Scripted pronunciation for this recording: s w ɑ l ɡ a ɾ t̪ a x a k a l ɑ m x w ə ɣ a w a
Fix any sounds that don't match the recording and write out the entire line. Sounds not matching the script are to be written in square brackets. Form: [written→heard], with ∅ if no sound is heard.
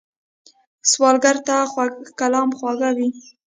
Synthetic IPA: s w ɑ l ɡ a ɾ t̪ a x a k a l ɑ m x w [ə→ɑ] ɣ a w [a→i]